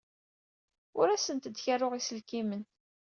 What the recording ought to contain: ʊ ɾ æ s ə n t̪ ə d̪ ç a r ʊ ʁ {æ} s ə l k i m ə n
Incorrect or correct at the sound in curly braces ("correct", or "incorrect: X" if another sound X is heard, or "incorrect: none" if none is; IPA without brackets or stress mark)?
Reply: incorrect: i